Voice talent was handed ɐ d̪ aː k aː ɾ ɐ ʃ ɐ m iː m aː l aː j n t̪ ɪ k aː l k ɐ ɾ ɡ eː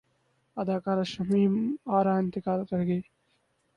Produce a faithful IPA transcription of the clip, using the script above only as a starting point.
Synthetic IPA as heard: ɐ d̪ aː k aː ɾ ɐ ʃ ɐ m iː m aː ɾ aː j n t̪ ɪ k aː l k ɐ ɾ ɡ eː